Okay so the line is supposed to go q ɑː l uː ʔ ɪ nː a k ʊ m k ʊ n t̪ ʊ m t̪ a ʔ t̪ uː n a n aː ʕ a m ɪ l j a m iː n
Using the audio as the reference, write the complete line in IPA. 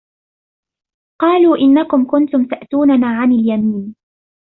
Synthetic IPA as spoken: q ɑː l uː ʔ ɪ nː a k ʊ m k ʊ n t̪ ʊ m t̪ a ʔ t̪ uː n a n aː ʕ a n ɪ l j a m iː n

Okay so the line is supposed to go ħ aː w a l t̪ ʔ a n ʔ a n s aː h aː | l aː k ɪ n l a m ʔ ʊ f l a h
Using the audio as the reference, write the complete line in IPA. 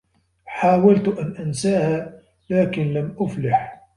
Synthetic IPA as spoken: ħ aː w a l t̪ ʔ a n ʔ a n s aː h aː | l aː k ɪ n l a m ʔ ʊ f l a ħ

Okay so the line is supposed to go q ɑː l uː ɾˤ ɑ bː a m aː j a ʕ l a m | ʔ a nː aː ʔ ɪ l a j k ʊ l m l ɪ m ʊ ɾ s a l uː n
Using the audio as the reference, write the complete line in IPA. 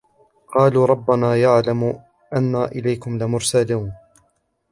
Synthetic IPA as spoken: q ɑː l uː ɾˤ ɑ bː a n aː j a ʕ l a m | ʔ a nː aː ʔ ɪ l a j k ʊ m l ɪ m ʊ ɾ s a l uː n

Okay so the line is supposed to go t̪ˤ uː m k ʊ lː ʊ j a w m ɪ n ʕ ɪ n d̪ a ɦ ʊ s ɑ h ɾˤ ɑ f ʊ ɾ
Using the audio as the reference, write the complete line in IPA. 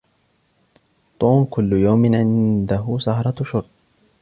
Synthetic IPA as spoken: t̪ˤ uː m k ʊ lː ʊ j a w m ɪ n ʕ ɪ n d̪ a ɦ ʊ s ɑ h ɾˤ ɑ ʃ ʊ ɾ

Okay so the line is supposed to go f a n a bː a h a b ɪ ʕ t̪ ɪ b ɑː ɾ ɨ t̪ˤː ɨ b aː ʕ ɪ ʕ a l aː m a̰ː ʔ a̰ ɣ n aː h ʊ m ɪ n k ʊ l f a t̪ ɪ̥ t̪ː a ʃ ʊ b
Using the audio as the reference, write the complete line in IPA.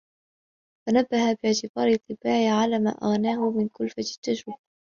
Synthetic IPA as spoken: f a n a bː a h a b ɪ ʕ t̪ ɪ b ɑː ɾ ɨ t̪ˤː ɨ b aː ʕ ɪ ʕ a l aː m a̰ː ʔ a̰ ɣ n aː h ʊ m ɪ n k ʊ l f a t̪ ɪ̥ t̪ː a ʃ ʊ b

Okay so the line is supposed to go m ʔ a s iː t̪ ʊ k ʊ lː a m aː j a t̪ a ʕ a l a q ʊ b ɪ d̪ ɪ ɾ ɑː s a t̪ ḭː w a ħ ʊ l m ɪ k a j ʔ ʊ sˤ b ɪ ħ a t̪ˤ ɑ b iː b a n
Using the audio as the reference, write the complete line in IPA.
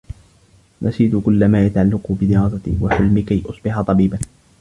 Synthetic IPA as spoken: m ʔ a s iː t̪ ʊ k ʊ lː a m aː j a t̪ a ʕ a lː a q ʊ b ɪ d̪ ɪ ɾ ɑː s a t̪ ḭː w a ħ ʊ l m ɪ k a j ʔ ʊ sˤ b ɪ ħ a t̪ˤ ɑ b iː b a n

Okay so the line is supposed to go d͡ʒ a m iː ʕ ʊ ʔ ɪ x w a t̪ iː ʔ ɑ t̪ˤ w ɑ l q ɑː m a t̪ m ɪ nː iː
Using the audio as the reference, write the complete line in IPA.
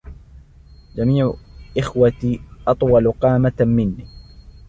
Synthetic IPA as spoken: d͡ʒ a m iː ʕ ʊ ʔ ɪ x w a t̪ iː ʔ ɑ t̪ˤ w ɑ l q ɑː m a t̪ m ɪ nː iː

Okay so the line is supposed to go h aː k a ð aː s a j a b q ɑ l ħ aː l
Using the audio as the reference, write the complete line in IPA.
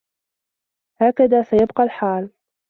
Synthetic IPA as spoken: h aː k a ð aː s a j a b q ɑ l ħ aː l

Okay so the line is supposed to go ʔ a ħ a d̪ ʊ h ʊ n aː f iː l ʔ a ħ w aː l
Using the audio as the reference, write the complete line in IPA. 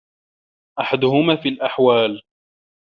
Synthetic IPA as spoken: ʔ a ħ a d̪ ʊ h ʊ m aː f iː l ʔ a ħ w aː l

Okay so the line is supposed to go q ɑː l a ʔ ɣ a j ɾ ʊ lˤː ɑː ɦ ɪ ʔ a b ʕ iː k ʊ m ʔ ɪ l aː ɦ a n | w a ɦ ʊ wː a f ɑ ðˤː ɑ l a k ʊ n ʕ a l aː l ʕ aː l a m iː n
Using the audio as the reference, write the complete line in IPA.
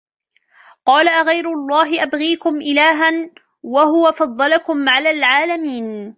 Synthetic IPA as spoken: q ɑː l a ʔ ɣ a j ɾ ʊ lˤː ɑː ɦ ɪ ʔ a b ɣ iː k ʊ m ʔ ɪ l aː ɦ a n | w a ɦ ʊ w a f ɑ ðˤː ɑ l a k ʊ m ʕ a l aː l ʕ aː l a m iː n

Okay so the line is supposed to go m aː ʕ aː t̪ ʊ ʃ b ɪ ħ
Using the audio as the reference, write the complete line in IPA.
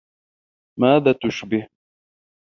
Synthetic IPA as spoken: m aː ð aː t̪ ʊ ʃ b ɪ h

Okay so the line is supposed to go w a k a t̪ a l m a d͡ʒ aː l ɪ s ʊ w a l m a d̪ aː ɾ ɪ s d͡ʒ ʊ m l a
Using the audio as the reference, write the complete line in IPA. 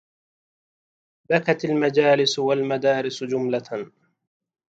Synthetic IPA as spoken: b a k a t̪ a l m a d͡ʒ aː l ɪ s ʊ w a l m a d̪ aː ɾ ɪ s d͡ʒ ʊ m l a

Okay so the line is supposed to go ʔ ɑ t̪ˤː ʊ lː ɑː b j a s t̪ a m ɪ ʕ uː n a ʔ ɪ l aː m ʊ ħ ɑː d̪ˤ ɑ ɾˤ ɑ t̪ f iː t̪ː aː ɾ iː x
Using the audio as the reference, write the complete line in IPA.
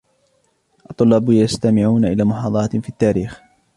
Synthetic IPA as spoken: ʔ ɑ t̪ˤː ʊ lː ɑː b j a s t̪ a m ɪ ʕ uː n a ʔ ɪ l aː m ʊ ħ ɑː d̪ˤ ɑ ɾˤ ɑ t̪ f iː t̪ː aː ɾ iː x

